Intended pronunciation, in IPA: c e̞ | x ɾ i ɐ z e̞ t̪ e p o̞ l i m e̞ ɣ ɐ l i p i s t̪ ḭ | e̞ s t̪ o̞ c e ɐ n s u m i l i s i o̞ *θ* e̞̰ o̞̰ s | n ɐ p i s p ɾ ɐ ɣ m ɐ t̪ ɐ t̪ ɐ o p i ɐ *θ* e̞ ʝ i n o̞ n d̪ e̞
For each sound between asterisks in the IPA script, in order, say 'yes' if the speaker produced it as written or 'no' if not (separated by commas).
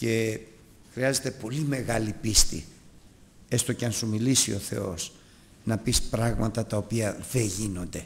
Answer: yes, no